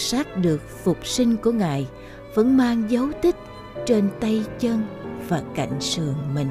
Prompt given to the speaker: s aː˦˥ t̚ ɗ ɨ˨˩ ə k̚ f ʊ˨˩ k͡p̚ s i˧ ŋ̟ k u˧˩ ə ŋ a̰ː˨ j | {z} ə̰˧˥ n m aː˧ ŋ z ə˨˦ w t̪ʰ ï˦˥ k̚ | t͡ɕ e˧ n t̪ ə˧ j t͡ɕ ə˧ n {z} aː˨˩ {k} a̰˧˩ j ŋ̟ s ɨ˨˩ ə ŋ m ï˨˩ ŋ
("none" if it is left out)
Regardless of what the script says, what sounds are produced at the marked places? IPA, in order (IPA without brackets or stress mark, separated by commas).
v, v, k